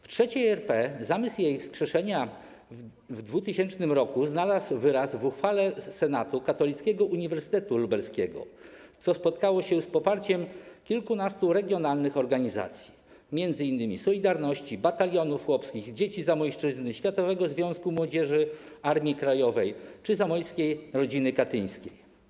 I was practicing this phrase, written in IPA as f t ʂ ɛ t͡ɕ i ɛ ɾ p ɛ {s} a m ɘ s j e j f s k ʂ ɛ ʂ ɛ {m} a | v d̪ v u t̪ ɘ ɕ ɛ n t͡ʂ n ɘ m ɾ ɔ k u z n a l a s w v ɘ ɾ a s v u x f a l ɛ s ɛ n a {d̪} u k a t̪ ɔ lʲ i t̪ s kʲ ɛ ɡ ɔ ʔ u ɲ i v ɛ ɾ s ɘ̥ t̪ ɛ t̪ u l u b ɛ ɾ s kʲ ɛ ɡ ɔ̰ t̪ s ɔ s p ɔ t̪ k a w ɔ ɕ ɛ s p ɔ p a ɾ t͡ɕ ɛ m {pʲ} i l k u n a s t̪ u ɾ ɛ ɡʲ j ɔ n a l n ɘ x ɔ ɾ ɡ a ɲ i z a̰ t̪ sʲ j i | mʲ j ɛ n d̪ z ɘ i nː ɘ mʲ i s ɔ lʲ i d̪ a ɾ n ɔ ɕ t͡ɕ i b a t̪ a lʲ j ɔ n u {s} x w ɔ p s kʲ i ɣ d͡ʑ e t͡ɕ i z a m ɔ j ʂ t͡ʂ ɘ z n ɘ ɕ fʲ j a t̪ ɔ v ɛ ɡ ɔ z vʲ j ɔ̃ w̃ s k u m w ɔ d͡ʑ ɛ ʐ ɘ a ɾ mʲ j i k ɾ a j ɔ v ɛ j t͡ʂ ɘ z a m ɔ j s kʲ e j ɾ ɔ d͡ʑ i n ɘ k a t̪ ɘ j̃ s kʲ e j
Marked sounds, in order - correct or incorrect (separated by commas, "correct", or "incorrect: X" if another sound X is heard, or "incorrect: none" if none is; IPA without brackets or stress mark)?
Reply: incorrect: z, incorrect: ɲ, incorrect: t̪, incorrect: kʲ, incorrect: f